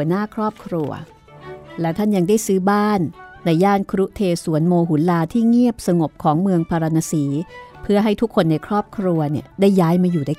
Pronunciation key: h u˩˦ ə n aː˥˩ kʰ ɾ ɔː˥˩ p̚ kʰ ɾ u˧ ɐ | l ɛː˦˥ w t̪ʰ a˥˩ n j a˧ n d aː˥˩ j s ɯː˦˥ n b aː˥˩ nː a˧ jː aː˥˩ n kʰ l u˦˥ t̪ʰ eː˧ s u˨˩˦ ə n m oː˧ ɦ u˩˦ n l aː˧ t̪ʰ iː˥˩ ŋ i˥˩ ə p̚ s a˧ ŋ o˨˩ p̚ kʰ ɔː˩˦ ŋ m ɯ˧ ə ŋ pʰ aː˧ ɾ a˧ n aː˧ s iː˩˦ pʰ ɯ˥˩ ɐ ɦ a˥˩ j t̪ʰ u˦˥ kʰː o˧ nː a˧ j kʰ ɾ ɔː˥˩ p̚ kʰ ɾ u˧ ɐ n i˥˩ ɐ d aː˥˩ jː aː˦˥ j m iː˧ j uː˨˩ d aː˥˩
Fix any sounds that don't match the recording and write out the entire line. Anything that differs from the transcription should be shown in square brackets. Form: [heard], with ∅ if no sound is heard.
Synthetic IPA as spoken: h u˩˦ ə n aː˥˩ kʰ ɾ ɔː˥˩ p̚ kʰ ɾ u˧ ɐ | l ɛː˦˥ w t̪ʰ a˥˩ n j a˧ [ŋ] d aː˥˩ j s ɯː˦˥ [∅] b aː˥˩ nː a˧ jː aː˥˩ n kʰ [ɾ] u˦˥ t̪ʰ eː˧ s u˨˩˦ ə n m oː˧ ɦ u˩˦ n l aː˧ t̪ʰ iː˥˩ ŋ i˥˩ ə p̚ s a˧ ŋ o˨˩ p̚ kʰ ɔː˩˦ ŋ m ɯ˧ ə ŋ pʰ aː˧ ɾ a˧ n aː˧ s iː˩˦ pʰ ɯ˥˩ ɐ ɦ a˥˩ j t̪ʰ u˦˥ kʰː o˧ nː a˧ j kʰ ɾ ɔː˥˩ p̚ kʰ ɾ u˧ ɐ n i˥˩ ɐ d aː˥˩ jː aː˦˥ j m [aː˧] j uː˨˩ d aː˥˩